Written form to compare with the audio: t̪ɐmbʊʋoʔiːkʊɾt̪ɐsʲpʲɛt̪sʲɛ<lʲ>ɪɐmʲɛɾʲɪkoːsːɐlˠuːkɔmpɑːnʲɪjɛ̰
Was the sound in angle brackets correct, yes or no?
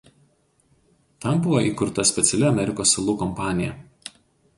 yes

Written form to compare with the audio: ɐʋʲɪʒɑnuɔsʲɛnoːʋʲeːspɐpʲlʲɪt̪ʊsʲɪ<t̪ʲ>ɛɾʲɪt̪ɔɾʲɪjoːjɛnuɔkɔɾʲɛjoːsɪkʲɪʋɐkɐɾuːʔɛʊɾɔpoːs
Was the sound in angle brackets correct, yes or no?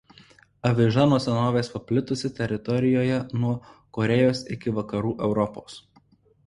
yes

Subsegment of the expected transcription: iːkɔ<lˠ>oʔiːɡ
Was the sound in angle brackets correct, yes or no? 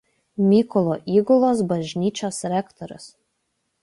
yes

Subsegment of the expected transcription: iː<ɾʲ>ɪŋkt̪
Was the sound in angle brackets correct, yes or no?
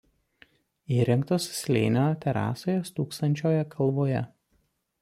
yes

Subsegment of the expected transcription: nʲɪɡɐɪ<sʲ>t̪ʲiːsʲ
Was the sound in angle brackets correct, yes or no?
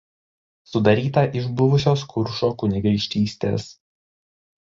no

